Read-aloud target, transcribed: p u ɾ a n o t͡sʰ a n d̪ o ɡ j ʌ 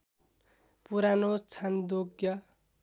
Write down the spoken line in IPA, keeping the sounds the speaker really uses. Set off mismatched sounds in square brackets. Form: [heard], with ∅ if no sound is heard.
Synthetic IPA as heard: p u ɾ a n o t͡sʰ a n d̪ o ɡ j ʌ